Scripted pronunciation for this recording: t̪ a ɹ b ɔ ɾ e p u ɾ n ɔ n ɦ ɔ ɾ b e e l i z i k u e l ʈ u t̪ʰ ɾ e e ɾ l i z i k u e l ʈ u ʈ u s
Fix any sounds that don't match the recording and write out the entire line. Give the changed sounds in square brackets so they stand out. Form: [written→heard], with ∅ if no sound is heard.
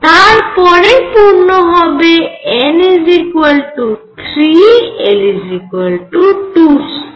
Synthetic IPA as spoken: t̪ a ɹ [b→p] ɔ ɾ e p u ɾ n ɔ [n→∅] ɦ ɔ [ɾ→∅] b e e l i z i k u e l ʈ u t̪ʰ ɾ [e→i] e [ɾ→∅] l i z i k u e l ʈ u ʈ u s